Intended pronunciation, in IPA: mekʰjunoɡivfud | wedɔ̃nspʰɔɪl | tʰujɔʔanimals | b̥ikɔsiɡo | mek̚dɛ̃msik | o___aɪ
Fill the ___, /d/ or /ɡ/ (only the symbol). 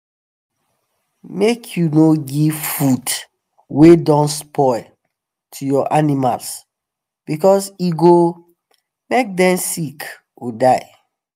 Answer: d